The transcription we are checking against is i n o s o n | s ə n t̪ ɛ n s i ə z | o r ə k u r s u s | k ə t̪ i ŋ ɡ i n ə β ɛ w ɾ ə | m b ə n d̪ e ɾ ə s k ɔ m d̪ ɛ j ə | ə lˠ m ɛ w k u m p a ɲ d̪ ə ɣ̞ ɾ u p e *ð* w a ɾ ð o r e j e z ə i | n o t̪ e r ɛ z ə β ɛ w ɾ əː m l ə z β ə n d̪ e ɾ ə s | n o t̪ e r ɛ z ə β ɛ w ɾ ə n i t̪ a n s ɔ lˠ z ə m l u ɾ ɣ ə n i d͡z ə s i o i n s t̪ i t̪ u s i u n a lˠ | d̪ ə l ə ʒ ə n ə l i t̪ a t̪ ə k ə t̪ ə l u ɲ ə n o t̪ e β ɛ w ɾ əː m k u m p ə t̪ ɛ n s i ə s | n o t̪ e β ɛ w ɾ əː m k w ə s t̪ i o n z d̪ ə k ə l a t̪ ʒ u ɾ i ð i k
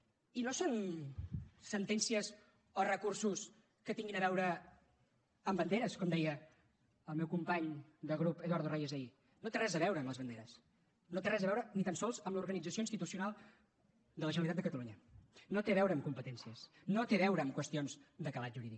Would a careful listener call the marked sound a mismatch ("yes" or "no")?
no